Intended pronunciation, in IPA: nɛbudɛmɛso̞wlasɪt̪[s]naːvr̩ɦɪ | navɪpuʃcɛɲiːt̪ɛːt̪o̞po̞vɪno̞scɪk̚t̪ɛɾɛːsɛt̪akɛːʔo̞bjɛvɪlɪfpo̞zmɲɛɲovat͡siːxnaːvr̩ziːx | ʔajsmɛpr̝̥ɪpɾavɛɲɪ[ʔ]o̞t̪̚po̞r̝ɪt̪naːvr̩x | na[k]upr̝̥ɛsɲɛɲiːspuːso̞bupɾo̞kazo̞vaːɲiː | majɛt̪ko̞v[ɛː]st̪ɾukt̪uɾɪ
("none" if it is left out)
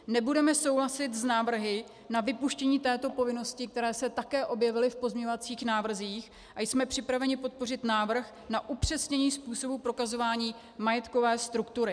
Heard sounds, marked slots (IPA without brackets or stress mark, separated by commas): z, p, ʔ, ɛː